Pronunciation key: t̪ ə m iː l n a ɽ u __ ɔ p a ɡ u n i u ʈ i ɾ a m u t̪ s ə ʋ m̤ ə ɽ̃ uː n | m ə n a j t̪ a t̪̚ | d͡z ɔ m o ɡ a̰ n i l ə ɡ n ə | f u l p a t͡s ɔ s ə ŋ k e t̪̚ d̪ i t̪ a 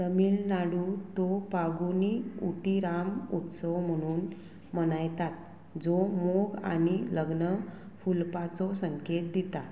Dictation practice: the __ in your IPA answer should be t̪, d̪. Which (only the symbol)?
t̪